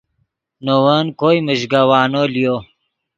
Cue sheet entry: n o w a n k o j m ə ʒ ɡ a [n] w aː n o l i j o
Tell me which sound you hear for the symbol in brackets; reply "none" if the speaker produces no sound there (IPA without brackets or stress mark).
none